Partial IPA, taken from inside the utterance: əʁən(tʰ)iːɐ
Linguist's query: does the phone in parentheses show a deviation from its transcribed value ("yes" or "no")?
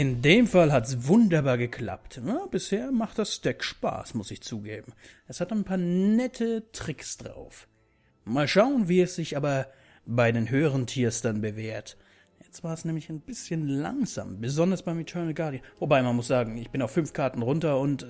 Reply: no